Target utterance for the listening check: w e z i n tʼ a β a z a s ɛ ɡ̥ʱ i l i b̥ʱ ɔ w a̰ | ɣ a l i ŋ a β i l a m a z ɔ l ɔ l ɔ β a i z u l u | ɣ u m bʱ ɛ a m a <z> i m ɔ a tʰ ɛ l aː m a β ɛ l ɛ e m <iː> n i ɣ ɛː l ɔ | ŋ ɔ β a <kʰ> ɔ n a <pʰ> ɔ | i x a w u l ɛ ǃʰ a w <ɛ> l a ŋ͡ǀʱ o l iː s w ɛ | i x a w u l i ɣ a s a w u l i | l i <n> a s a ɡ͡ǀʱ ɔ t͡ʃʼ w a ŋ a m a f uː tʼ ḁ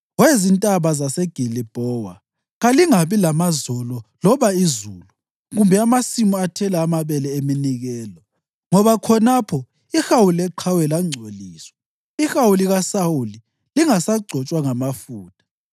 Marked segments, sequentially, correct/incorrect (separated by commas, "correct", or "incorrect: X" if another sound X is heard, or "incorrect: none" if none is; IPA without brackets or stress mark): incorrect: s, incorrect: i, correct, correct, correct, incorrect: ŋ